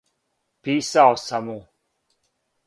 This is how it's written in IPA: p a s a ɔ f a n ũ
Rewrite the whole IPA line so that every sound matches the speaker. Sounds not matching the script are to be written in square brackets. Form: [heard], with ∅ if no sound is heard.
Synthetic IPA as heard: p [i] s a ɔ [s] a [m] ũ